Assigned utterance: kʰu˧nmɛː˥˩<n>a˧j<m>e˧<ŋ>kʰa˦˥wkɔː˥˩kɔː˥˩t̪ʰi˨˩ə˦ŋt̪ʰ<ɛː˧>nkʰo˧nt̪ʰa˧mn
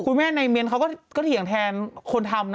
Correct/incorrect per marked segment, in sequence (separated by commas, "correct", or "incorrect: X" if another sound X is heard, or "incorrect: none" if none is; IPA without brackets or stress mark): correct, correct, incorrect: n, correct